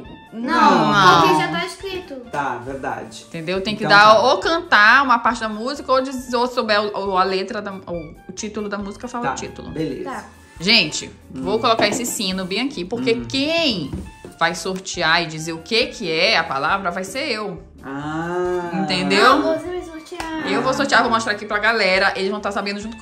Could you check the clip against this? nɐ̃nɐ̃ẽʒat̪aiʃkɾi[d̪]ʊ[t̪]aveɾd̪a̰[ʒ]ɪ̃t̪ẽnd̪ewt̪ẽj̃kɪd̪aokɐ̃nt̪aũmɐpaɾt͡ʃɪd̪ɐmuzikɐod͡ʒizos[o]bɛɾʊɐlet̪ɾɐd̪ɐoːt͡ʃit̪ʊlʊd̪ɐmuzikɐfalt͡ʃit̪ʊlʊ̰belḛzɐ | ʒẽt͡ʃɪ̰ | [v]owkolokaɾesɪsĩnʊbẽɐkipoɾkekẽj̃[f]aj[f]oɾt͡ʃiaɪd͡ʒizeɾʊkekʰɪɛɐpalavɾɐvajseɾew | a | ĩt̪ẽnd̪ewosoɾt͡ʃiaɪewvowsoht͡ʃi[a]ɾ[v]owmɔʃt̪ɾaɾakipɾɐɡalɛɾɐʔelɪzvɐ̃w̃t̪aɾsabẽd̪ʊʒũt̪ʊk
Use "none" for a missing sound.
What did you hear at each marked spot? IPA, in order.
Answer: t̪, t̪, d͡ʒ, o, v, v, s, a, v

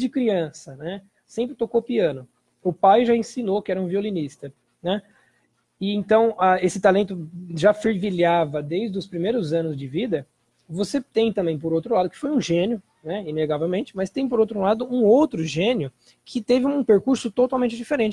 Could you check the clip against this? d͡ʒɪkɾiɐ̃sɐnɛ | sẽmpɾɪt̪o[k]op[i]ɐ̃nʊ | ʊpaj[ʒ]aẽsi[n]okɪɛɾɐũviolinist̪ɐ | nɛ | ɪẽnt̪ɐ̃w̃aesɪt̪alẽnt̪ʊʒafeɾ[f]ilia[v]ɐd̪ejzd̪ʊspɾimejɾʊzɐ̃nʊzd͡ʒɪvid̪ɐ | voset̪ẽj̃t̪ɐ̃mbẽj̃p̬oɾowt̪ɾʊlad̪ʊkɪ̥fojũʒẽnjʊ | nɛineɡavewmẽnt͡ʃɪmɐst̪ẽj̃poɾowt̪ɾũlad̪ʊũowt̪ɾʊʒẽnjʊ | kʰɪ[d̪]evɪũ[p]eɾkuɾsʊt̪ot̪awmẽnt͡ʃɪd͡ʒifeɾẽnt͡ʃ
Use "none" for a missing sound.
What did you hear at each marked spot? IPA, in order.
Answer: k, i, ʒ, n, v, v, t̪, p

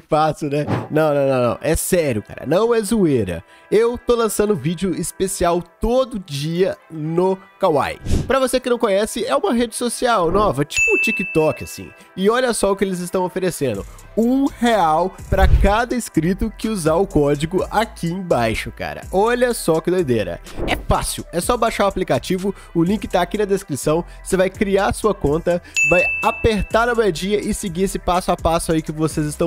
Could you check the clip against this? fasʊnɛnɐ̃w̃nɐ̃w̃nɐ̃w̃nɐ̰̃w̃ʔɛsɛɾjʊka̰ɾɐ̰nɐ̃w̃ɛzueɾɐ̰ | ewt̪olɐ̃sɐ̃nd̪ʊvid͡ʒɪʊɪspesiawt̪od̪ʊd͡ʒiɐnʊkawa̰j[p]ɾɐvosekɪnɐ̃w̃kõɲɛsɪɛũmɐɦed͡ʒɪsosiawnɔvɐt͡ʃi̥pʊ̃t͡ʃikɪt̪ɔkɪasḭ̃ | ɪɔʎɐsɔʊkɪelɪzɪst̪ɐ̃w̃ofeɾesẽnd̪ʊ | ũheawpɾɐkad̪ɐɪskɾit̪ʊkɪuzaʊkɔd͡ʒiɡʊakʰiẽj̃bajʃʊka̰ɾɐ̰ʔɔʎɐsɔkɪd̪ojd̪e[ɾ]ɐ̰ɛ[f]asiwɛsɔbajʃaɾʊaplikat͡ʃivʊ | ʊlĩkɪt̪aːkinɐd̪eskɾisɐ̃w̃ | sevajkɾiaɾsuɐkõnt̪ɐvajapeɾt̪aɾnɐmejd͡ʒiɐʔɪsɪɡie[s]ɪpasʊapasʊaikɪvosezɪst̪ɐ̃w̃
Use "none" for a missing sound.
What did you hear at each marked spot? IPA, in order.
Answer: p, ɾ, f, s

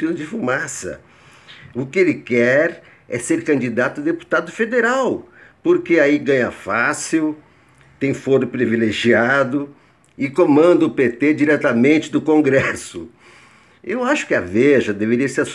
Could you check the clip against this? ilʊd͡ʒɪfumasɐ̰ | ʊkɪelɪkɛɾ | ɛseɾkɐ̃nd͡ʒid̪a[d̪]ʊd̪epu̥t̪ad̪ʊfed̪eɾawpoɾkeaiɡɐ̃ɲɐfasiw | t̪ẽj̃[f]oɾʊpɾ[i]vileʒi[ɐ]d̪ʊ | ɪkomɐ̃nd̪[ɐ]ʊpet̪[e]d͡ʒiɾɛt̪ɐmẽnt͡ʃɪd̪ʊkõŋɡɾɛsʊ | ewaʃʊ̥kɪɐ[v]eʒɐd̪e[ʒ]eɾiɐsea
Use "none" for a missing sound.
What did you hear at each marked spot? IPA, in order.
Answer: t̪, f, i, a, ɐ, e, v, v

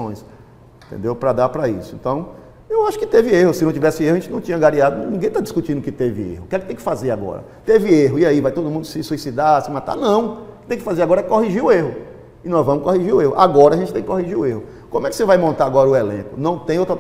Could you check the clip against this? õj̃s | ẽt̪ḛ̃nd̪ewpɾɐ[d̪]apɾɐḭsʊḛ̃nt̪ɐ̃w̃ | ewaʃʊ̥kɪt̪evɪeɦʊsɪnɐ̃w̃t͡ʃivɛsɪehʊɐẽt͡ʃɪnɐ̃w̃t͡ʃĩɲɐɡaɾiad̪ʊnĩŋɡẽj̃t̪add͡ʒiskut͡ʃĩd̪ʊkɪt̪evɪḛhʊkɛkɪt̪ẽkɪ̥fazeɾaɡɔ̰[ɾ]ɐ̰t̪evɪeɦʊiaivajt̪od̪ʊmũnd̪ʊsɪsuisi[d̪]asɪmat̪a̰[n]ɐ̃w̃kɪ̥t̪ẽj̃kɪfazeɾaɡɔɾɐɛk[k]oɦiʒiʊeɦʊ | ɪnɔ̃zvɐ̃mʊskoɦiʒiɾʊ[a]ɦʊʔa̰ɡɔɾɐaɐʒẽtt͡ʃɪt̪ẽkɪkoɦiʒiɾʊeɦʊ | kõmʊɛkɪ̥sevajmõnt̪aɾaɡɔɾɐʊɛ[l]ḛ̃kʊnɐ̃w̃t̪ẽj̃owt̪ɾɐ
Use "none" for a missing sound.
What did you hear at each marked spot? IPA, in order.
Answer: d̪, ɾ, d̪, n, k, e, l

